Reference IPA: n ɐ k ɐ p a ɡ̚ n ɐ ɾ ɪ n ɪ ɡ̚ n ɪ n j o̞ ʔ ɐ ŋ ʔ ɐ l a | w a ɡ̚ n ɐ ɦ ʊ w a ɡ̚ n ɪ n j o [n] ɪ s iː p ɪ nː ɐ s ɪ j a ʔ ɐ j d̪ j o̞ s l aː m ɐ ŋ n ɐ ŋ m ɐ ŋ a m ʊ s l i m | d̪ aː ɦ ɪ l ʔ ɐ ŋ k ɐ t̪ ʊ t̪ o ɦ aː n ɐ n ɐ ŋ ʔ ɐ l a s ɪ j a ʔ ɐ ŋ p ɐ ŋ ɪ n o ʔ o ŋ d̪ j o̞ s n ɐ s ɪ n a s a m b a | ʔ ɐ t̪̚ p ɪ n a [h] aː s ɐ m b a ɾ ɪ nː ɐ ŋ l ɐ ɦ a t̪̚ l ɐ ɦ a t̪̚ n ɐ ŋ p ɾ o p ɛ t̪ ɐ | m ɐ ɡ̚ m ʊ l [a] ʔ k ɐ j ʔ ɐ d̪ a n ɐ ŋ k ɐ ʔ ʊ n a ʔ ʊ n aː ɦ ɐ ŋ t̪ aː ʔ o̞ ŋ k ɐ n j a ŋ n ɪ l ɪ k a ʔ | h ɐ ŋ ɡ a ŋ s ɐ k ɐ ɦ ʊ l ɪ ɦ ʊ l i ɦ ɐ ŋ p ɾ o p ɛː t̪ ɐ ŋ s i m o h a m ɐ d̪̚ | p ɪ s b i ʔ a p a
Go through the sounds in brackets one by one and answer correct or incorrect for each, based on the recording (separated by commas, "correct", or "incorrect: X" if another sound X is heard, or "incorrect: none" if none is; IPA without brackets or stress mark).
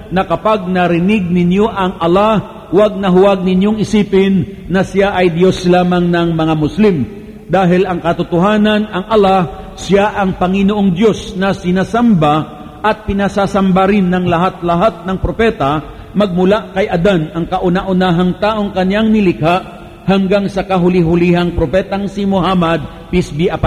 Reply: incorrect: ŋ, incorrect: s, correct